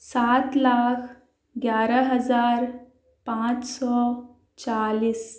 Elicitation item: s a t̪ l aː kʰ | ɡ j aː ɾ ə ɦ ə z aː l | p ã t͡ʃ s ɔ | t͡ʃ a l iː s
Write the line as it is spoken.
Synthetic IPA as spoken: s a t̪ l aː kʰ | ɡ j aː ɾ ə ɦ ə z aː ɾ | p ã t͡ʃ s ɔ | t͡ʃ a l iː s